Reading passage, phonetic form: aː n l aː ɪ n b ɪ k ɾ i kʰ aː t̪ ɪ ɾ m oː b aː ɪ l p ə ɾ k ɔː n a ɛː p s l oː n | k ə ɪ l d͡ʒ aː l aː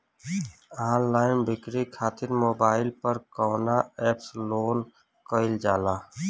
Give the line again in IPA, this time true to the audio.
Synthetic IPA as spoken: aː n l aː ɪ n b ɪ k ɾ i kʰ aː t̪ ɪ ɾ m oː b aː ɪ l p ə ɾ k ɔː n a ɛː p s l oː n | k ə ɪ l d͡ʒ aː l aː